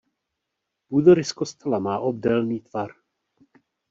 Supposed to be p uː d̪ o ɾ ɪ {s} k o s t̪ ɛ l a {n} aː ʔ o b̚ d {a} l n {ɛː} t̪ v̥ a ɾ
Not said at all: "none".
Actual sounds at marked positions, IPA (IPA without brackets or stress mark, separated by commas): s, m, ɛ, iː